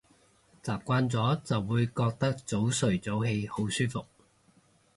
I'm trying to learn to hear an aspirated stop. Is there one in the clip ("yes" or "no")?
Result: no